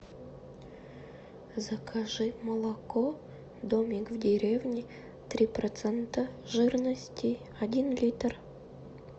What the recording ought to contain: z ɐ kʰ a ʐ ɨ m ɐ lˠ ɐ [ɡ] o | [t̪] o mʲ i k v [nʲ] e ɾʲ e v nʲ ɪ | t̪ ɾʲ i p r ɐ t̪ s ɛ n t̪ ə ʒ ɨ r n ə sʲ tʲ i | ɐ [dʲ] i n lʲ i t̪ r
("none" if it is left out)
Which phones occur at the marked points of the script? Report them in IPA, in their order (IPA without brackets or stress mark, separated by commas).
k, d̪, dʲ, dʲ